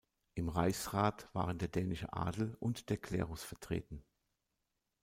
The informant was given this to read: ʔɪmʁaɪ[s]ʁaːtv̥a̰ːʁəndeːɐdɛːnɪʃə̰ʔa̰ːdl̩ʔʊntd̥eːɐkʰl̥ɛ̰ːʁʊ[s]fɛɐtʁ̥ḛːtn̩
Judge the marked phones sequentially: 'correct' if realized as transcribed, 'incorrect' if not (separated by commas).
correct, correct